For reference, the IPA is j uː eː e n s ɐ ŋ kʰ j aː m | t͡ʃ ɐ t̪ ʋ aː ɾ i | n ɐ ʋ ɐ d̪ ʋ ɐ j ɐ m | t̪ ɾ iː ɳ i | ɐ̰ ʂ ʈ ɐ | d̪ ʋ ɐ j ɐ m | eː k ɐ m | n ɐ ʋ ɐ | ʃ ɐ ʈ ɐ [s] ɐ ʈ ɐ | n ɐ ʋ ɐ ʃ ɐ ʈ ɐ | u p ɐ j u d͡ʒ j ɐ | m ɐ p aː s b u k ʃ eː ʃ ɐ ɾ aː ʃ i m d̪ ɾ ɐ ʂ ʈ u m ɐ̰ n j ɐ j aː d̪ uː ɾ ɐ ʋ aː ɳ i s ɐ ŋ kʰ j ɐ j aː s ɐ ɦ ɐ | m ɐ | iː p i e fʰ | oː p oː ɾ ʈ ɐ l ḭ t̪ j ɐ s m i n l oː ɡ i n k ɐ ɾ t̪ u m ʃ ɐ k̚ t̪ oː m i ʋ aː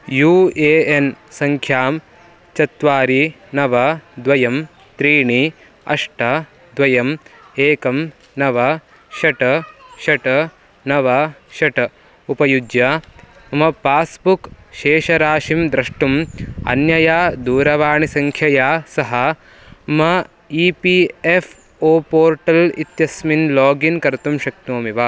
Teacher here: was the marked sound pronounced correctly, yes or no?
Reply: no